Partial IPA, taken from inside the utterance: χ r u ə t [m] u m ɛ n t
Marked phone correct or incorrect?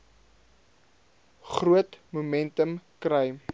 correct